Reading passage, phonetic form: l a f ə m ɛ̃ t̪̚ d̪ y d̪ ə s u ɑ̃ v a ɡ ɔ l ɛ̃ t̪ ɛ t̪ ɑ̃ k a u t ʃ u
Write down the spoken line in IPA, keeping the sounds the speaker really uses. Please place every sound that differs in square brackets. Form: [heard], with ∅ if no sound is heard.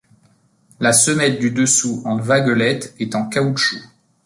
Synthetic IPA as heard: l a [s] ə m [ɛ] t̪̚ d̪ y d̪ ə s u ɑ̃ v a ɡ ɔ l [ɛ] t̪ ɛ t̪ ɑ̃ k a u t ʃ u